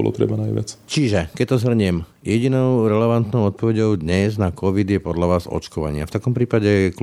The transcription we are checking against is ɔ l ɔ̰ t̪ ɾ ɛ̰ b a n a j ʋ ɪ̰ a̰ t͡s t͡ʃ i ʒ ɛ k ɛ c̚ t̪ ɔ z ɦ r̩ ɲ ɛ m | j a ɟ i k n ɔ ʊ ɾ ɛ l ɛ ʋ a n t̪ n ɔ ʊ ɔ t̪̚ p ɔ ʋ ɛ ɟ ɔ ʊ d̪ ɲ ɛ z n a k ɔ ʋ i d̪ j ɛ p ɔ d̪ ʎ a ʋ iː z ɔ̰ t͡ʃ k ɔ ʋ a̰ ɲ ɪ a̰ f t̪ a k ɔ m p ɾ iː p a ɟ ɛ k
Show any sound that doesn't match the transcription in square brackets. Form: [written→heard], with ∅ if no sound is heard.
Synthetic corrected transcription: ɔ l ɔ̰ t̪ ɾ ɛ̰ b a n a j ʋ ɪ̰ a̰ t͡s t͡ʃ i ʒ ɛ k ɛ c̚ t̪ ɔ z ɦ r̩ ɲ ɛ m | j [a→ɛ] ɟ i [k→∅] n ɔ ʊ ɾ ɛ l ɛ ʋ a n t̪ n ɔ ʊ ɔ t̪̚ p ɔ ʋ ɛ ɟ ɔ ʊ d̪ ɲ ɛ z n a k ɔ ʋ i d̪ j ɛ p ɔ d̪ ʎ a ʋ [iː→aː] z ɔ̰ t͡ʃ k ɔ ʋ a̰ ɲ ɪ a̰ f t̪ a k ɔ m p ɾ iː p a ɟ ɛ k